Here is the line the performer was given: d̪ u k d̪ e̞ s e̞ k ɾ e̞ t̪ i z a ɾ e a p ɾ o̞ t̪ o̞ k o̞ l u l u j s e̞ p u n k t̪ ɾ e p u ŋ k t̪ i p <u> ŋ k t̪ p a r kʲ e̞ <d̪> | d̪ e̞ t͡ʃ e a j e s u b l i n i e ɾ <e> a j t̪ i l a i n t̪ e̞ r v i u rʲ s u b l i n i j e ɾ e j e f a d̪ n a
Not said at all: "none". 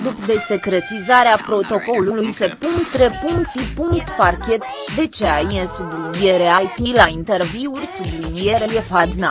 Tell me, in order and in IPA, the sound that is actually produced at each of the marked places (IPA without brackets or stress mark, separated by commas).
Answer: u, t̪, e